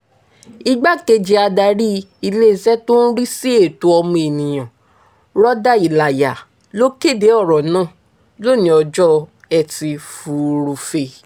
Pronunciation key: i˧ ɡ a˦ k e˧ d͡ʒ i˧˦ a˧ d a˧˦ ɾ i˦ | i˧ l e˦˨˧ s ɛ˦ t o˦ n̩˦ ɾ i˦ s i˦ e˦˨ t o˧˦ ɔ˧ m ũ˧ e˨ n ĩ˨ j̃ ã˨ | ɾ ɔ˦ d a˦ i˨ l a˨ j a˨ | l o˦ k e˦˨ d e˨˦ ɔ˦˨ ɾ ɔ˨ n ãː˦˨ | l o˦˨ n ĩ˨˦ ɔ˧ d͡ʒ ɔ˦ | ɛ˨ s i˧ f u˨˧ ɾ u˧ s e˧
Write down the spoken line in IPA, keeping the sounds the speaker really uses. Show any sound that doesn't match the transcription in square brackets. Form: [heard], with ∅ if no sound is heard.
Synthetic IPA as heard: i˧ [ɡ͡b] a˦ k e˧ d͡ʒ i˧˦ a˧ d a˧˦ ɾ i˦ | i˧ l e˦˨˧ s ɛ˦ t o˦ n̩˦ ɾ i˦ s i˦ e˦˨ t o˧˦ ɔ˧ m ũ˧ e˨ n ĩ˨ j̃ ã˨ | ɾ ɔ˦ d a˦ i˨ l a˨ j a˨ | l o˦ k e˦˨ d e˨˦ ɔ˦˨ ɾ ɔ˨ n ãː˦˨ | l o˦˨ n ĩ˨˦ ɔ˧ d͡ʒ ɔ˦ | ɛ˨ [t] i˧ f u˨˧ ɾ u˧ [f] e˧